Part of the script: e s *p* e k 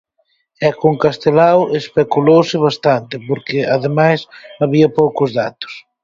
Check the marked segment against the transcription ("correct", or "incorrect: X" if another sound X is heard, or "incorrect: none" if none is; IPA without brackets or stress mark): correct